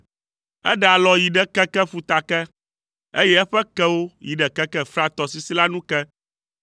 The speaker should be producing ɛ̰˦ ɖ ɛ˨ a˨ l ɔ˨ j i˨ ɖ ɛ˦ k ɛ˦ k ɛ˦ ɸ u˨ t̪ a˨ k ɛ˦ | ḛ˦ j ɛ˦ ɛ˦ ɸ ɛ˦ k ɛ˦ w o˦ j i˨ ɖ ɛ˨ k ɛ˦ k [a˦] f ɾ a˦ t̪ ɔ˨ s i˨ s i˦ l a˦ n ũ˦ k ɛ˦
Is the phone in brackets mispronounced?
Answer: yes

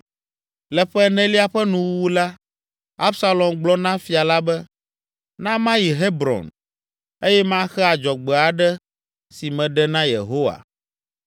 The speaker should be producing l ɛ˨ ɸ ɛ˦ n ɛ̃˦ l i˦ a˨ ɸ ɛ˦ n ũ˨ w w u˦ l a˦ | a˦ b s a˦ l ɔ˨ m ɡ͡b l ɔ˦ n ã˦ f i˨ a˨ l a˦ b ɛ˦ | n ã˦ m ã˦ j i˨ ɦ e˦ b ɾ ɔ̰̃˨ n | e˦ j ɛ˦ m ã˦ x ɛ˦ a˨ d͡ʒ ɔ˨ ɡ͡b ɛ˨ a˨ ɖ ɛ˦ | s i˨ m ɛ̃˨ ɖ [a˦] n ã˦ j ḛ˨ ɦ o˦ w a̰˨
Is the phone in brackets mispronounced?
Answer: yes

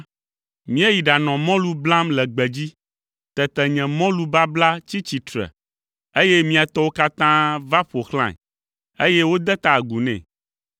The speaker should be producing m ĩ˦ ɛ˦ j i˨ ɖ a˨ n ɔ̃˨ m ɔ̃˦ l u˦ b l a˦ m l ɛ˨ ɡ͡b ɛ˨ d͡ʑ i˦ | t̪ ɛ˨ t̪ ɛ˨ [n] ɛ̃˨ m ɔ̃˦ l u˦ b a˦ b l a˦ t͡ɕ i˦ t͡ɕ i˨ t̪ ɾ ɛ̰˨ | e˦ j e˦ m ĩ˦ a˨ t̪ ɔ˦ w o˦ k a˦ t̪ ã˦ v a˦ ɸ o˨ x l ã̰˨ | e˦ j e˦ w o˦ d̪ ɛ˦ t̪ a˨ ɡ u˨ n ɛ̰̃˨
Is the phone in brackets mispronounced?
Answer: yes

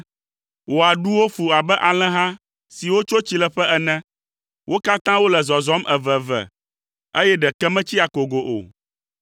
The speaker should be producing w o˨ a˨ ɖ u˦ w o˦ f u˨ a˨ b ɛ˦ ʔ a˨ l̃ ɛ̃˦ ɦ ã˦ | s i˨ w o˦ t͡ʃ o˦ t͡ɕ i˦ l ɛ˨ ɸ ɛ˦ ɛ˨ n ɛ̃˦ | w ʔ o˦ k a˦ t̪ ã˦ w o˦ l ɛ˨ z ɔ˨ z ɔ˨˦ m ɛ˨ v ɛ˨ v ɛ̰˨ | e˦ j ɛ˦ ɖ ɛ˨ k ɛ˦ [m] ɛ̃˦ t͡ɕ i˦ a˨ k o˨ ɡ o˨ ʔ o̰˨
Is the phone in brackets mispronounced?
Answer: no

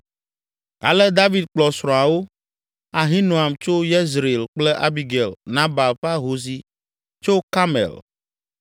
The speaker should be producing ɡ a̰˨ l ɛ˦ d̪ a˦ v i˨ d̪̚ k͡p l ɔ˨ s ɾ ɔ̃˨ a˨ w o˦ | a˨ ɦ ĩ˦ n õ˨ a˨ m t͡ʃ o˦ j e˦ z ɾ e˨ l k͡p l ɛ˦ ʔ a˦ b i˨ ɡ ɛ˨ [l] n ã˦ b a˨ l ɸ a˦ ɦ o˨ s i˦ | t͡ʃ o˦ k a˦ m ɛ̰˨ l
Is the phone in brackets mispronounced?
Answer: no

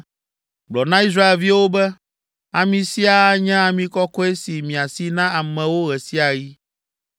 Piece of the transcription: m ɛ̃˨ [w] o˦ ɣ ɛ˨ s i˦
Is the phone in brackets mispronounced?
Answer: no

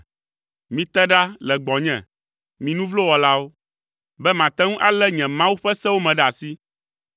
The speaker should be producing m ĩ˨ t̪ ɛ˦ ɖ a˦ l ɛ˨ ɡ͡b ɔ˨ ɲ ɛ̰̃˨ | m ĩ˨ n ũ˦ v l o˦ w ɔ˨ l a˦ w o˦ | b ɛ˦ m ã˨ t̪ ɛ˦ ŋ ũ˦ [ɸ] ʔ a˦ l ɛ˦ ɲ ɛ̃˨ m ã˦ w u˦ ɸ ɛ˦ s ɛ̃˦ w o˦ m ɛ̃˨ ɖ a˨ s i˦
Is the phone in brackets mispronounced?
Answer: yes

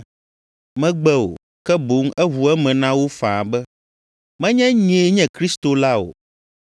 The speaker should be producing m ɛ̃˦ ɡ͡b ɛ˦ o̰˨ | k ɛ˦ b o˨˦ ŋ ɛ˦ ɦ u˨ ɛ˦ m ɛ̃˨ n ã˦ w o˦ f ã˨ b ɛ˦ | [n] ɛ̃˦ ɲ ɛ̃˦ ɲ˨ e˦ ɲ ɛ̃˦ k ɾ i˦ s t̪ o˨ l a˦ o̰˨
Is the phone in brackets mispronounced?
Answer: yes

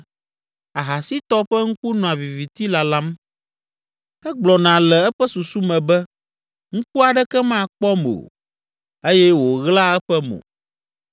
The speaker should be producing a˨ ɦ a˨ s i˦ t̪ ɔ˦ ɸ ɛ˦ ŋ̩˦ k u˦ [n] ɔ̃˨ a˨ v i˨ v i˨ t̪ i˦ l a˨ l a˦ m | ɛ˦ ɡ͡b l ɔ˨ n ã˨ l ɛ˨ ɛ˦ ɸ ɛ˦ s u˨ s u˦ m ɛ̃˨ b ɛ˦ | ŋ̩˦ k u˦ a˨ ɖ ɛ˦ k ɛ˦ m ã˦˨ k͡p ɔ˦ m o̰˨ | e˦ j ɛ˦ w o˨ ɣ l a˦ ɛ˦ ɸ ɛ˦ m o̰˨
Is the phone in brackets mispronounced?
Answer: no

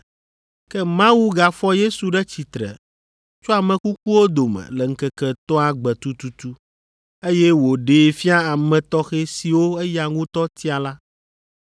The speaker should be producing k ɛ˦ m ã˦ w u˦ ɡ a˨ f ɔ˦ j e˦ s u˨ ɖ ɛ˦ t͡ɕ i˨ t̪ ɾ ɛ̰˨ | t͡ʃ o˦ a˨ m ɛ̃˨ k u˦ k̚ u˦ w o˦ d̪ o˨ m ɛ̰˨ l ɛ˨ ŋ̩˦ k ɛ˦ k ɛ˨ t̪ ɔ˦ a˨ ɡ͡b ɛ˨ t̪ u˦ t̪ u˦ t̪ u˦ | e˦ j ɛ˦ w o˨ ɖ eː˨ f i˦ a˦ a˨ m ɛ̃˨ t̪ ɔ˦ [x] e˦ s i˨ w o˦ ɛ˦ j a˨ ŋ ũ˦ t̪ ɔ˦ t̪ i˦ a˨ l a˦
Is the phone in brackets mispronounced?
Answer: no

